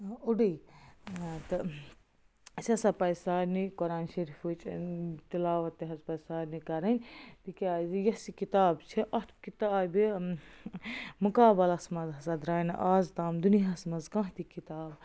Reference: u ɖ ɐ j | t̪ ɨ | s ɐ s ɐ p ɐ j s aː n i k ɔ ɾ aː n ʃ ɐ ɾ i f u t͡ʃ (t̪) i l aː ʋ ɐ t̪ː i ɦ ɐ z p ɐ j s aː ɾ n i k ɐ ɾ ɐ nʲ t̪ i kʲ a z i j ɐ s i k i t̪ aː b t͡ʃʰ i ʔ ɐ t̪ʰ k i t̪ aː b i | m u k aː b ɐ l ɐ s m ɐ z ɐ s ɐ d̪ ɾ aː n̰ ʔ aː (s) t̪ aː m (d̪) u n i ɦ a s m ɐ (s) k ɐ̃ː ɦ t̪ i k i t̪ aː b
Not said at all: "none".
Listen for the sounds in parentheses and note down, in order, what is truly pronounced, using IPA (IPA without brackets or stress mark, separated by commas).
t̪, z, d̪, z